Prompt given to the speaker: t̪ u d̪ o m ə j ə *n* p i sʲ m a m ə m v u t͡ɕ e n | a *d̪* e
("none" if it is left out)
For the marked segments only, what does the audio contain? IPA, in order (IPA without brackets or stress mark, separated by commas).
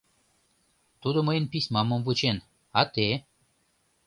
n, t̪